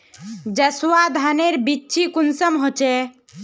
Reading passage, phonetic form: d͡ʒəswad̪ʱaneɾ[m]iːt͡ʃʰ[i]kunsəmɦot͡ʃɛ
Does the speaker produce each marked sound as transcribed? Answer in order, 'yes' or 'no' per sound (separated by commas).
no, yes